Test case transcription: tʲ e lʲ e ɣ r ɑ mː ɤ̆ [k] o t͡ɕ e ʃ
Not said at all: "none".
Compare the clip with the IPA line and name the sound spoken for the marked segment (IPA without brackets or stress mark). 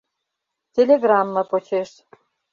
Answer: p